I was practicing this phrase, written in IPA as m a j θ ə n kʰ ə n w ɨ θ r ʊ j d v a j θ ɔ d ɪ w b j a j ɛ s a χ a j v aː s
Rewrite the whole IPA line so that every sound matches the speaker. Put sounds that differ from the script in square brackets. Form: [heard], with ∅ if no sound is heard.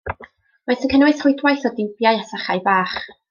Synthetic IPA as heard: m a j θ ə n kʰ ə n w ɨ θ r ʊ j d [w] a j θ ɔ d ɪ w b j a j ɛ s a χ a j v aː [χ]